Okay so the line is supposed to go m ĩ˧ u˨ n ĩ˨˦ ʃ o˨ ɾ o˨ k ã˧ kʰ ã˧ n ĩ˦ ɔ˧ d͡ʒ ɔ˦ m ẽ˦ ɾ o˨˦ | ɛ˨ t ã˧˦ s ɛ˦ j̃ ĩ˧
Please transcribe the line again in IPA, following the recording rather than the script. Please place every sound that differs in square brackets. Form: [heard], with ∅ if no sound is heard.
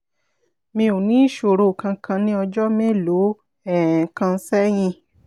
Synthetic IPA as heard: m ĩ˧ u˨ n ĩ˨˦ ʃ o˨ ɾ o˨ k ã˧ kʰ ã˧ n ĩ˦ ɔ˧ d͡ʒ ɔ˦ m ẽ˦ [l] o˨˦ | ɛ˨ [k] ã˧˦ s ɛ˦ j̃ ĩ˧